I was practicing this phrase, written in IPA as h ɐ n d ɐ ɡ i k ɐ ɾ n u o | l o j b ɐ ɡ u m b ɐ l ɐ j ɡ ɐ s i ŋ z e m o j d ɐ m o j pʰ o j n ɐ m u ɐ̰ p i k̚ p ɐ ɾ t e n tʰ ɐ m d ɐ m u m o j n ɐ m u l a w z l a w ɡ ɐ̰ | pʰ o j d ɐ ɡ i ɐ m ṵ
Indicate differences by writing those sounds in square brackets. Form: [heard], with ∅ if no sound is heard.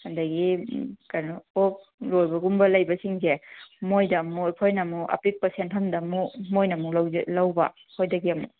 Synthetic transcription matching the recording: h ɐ n d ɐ ɡ i k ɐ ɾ n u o | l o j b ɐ ɡ u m b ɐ l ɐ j [b] ɐ s i ŋ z e m o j d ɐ m o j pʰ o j n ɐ m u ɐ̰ p i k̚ p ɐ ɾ [s] e n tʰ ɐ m d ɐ m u m o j n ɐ m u l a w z l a w [b] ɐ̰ | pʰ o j d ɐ ɡ i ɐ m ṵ